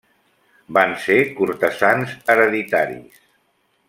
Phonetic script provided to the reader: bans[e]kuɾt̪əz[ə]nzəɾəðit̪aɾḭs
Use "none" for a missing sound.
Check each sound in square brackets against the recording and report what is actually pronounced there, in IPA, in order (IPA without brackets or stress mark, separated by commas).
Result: e, a